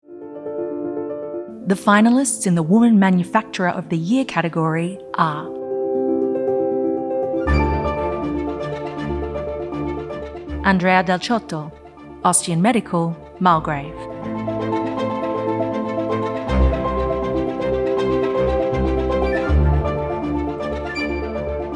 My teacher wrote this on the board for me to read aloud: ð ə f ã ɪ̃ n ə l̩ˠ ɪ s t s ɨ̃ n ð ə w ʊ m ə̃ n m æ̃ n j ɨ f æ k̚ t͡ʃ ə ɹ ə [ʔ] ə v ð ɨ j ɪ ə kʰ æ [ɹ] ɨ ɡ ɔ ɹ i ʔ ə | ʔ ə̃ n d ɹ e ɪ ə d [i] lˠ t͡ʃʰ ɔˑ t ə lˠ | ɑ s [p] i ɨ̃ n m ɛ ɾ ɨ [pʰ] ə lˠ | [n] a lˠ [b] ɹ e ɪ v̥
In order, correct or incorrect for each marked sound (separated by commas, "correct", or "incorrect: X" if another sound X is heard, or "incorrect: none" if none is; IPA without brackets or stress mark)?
correct, incorrect: ɾ, incorrect: ɛ, incorrect: t, incorrect: kʰ, incorrect: m, incorrect: ɡ